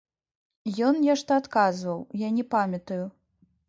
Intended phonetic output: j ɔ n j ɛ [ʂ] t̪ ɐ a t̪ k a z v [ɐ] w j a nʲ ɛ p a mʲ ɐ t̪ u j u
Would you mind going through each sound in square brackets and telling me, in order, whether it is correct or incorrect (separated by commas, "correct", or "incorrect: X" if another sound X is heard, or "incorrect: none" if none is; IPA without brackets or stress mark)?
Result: correct, correct